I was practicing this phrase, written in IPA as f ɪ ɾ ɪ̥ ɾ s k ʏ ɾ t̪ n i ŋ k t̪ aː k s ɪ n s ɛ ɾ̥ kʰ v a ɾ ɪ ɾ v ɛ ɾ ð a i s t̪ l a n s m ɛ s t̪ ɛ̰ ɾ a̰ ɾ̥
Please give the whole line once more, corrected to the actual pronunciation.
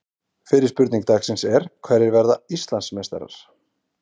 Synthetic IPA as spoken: f ɪ ɾ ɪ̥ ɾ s p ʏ ɾ t̪ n i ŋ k t̪ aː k s ɪ n s ɛ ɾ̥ kʰ v ɛ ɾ ɪ ɾ v ɛ ɾ ð a i s t̪ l a n s m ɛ s t̪ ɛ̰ ɾ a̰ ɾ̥

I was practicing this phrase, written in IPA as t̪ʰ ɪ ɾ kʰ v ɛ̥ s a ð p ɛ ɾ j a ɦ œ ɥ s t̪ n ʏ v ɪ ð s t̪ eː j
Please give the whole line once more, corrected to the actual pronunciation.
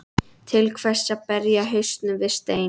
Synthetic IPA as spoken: t̪ʰ ɪ l kʰ v ɛ̥ s a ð p ɛ ɾ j a ɦ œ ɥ s t̪ n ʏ v ɪ ð s t̪ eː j

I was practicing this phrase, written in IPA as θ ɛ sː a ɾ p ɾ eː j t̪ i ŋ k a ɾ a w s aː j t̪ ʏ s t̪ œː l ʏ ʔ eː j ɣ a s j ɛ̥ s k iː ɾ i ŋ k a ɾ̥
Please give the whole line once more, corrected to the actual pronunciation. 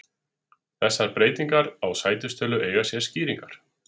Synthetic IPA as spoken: θ ɛ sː a ɾ p ɾ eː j t̪ i ŋ k a ɾ a w s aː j t̪ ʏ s t̪ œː l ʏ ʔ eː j ɣ a s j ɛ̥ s c iː ɾ i ŋ k a ɾ̥

